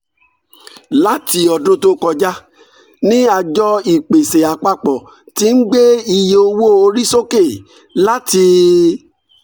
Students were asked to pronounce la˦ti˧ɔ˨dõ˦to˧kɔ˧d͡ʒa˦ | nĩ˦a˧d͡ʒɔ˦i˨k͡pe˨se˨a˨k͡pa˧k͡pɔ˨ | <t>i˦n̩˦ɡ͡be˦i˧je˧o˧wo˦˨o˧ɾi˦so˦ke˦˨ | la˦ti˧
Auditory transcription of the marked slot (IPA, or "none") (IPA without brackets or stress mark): t